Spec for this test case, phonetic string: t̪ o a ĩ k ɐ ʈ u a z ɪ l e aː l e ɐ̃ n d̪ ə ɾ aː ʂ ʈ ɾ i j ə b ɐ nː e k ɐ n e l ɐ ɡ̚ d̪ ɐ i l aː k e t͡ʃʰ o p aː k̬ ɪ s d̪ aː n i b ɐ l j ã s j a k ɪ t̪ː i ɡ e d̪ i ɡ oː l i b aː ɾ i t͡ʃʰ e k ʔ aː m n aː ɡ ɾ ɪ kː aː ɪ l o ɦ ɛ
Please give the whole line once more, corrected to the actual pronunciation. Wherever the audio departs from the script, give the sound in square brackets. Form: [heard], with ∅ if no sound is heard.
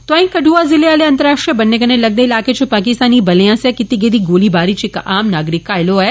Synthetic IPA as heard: t̪ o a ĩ k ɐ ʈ u a z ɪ l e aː l e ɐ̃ n [t̪] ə ɾ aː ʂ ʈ ɾ i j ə b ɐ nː e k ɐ n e l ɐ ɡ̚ d̪ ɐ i l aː k e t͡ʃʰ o p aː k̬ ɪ s [t̪] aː n i b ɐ l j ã s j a k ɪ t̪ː i ɡ e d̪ i ɡ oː l i b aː ɾ i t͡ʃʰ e k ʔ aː m n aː ɡ ɾ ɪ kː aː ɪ l o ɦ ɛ

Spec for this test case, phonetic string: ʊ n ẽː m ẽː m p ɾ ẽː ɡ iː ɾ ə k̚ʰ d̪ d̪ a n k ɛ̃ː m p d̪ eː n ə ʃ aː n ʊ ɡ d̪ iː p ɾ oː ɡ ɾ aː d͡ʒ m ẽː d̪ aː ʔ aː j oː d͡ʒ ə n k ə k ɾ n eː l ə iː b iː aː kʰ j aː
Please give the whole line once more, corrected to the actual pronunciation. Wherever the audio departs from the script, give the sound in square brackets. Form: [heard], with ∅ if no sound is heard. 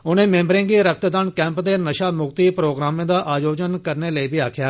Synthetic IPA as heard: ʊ n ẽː m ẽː m [b] ɾ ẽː ɡ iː ɾ ə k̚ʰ [t̪] d̪ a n k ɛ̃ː m p d̪ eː n ə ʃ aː [m] ʊ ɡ [t̪] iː p ɾ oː ɡ ɾ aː [∅] m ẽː d̪ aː ʔ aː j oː d͡ʒ ə n k ə [∅] ɾ n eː l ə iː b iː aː kʰ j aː

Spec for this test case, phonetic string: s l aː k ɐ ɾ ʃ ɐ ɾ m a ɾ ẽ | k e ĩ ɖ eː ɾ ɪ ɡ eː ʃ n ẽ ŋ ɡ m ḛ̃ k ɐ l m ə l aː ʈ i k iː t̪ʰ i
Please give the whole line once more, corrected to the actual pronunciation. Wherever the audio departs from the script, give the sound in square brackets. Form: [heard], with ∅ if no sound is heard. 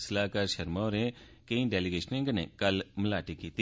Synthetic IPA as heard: s l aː k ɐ ɾ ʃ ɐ ɾ m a ɾ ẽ | k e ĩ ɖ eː [l] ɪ ɡ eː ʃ n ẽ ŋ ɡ [n] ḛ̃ k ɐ l m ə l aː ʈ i k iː [t̪] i

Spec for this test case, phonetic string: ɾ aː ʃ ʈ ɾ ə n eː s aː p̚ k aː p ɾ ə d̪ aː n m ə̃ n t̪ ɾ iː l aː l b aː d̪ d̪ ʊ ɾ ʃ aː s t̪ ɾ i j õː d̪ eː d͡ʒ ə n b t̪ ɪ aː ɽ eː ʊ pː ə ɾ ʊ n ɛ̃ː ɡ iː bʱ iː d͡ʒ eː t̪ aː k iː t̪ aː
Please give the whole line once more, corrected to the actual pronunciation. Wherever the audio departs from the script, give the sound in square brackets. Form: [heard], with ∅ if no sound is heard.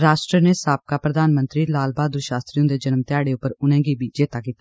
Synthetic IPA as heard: ɾ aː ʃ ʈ ɾ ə n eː s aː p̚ k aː p ɾ ə d̪ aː n m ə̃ n t̪ ɾ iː l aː l b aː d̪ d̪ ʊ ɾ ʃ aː s t̪ ɾ i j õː d̪ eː d͡ʒ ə n [m] t̪ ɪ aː ɽ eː ʊ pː ə ɾ ʊ n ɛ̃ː ɡ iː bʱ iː d͡ʒ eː t̪ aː k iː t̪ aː

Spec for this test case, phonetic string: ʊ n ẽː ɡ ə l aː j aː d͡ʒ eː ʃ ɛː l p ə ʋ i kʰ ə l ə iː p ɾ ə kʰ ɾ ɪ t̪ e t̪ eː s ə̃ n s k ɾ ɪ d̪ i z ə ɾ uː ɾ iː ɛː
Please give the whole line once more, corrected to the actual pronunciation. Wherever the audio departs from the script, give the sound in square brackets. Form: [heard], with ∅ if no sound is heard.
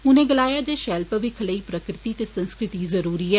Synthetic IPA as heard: ʊ n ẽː ɡ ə l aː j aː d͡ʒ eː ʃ ɛː l p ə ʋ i kʰ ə l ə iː p ɾ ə [k] ɾ ɪ t̪ [i] t̪ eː s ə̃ n s k ɾ ɪ [t̪] i z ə ɾ uː ɾ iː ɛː

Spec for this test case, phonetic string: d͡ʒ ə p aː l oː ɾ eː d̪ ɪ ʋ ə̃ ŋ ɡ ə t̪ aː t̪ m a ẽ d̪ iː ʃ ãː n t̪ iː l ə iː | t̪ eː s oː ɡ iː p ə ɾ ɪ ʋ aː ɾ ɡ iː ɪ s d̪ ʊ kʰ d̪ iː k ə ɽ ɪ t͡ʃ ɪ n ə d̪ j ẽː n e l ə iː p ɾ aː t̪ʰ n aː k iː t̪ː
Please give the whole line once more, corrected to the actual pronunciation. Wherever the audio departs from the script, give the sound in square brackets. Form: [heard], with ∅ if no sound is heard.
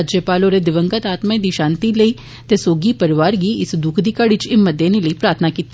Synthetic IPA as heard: d͡ʒ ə p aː l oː ɾ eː d̪ ɪ ʋ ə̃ ŋ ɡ ə t̪ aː t̪ m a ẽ d̪ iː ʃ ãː n t̪ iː l ə iː | t̪ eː s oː ɡ iː p ə ɾ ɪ ʋ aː ɾ ɡ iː ɪ s d̪ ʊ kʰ d̪ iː k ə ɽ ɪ t͡ʃ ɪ [m] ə d̪ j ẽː n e l ə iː p ɾ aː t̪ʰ n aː k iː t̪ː

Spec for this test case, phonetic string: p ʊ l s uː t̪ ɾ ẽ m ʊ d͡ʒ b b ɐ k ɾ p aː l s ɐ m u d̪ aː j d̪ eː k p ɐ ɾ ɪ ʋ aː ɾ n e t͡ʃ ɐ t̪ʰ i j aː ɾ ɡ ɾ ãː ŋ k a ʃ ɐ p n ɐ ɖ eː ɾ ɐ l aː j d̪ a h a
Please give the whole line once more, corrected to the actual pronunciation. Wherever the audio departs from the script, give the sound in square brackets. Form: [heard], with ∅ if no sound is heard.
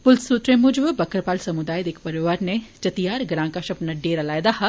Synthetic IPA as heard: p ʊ l s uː t̪ ɾ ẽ m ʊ d͡ʒ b b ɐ k ɾ p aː l s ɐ m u d̪ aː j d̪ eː k p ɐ ɾ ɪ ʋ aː ɾ n e t͡ʃ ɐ [t̪] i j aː ɾ ɡ ɾ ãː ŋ k a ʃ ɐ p n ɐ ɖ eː ɾ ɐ l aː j d̪ a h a

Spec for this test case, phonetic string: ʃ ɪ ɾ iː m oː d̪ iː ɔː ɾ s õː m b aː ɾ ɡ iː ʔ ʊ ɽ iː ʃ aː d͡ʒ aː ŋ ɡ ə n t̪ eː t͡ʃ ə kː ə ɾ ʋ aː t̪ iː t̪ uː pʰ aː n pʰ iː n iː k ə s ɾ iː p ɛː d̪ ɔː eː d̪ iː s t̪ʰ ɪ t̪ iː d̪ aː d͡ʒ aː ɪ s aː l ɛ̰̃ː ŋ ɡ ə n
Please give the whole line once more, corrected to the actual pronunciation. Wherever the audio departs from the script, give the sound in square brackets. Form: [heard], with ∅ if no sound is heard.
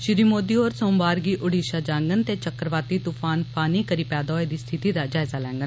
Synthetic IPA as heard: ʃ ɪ ɾ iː m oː d̪ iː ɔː ɾ s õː m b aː ɾ ɡ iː ʔ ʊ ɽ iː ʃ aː d͡ʒ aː ŋ ɡ ə n t̪ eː t͡ʃ ə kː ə ɾ ʋ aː t̪ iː t̪ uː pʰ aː n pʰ [aː] n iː k ə [∅] ɾ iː p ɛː d̪ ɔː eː d̪ iː s t̪ʰ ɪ t̪ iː d̪ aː d͡ʒ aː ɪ [z] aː l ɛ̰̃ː ŋ ɡ ə n

